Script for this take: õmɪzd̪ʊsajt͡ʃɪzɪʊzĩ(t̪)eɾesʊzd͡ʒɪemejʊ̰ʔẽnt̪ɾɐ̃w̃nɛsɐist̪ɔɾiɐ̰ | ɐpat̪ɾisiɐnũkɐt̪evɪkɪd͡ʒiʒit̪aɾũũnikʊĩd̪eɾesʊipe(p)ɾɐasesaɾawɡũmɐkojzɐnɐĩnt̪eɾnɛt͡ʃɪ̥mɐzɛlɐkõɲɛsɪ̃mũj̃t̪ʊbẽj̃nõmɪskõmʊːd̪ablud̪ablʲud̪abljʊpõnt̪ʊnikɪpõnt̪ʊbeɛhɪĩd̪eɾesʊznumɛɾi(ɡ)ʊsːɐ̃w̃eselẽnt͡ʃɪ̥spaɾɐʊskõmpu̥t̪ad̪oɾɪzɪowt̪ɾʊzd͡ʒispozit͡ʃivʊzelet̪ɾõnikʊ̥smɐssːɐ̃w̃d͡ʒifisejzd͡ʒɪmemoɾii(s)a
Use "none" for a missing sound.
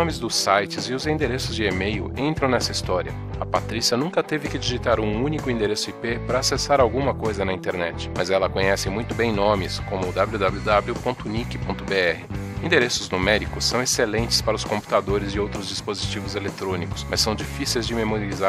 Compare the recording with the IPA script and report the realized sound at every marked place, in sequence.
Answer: d̪, p, k, z

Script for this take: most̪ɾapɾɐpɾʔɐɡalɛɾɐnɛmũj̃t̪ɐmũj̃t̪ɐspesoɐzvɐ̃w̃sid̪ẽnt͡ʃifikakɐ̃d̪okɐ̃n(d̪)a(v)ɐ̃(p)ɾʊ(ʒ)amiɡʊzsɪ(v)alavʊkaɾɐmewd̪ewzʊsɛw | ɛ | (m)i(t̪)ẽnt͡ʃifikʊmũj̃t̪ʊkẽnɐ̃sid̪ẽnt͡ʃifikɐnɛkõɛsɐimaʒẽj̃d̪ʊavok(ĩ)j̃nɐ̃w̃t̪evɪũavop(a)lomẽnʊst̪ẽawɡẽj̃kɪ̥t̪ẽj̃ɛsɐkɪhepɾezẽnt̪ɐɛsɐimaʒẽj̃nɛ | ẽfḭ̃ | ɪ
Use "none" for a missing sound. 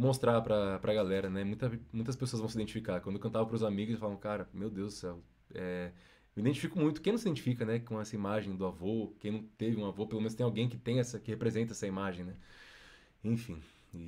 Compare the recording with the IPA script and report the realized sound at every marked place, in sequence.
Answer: t̪, v, p, z, f, m, d̪, ẽ, e

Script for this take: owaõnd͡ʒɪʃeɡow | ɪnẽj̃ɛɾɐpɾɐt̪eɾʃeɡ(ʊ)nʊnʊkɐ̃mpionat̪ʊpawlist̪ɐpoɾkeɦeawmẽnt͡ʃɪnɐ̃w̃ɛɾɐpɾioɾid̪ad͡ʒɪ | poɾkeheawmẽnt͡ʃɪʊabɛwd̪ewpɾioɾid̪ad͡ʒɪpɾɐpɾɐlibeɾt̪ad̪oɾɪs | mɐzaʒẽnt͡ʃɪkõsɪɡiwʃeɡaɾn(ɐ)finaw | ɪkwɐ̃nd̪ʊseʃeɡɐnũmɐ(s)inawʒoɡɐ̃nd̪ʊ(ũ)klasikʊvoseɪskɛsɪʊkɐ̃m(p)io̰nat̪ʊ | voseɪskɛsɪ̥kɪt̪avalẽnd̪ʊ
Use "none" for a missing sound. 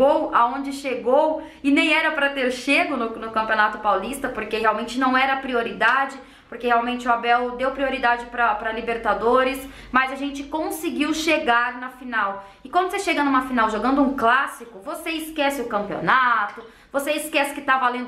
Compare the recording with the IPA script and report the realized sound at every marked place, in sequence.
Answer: ʊ, ɐ, f, ũ, p

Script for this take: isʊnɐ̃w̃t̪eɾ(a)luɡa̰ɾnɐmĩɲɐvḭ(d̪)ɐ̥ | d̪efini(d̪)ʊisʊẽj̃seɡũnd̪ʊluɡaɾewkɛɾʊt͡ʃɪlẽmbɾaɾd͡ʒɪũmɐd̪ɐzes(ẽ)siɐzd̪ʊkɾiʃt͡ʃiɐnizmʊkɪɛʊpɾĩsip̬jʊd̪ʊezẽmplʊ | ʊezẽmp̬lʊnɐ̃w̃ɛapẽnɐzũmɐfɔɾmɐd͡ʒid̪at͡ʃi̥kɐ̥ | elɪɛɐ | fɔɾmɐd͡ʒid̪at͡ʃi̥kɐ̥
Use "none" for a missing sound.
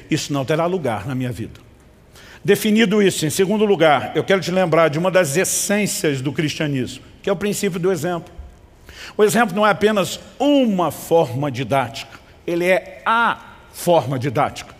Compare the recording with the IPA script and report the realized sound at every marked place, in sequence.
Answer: a, d̪, d̪, ẽ

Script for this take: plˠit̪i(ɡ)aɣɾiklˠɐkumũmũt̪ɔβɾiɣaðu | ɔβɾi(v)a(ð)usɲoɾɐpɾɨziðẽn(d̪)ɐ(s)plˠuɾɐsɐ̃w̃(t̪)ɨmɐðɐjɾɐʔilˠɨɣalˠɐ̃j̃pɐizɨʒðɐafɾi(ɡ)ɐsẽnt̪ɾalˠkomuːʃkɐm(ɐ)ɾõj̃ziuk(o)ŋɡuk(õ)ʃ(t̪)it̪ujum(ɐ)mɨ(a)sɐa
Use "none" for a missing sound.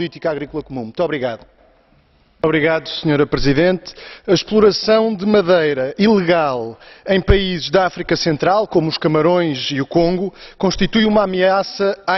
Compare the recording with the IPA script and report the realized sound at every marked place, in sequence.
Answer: k, ɣ, ð, t̪, ʃ, d̪, k, ɐ, õ, õ, t̪, a, a

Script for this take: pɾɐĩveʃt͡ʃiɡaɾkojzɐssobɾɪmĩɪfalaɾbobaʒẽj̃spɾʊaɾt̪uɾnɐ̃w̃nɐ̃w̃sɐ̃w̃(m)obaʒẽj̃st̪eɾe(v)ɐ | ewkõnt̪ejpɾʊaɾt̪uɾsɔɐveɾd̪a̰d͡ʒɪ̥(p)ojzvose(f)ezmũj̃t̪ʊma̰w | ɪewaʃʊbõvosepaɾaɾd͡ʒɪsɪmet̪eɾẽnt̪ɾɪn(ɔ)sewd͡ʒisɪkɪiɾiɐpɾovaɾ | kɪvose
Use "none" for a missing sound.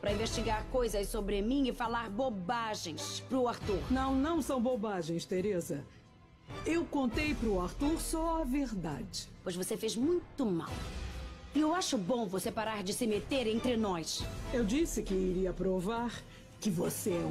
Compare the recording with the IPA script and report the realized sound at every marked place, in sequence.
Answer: b, z, p, f, ɔ

